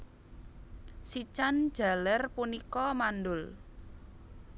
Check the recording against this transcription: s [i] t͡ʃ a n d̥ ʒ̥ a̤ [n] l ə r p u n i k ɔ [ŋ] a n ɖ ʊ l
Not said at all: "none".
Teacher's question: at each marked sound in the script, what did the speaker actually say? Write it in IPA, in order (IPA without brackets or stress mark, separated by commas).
i, none, m